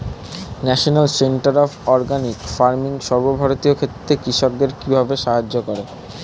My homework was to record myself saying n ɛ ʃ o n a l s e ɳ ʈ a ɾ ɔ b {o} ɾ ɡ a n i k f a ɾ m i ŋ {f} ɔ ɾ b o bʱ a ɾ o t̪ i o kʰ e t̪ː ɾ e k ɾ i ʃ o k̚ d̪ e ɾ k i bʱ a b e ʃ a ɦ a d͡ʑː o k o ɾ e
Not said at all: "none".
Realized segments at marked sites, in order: ɔ, ʃ

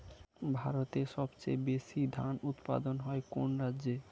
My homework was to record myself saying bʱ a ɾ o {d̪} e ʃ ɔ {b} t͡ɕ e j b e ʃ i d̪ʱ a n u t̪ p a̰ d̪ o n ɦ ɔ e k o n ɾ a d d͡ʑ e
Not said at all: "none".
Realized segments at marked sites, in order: t̪, b

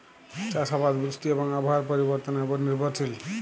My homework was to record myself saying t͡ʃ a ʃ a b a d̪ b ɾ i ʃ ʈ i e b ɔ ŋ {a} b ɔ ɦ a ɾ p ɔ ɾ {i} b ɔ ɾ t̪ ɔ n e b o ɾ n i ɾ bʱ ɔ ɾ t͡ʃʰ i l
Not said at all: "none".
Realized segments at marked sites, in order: a, i

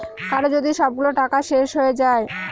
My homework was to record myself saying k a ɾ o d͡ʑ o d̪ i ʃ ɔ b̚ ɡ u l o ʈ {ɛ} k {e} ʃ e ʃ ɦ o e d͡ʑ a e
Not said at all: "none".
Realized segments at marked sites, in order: a, a

